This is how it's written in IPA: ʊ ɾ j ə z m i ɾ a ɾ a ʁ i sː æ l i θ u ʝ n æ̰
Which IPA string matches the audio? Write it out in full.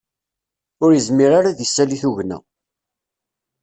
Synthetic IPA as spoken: ʊ ɾ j ə z m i ɾ a ɾ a ð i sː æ l i θ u ʝ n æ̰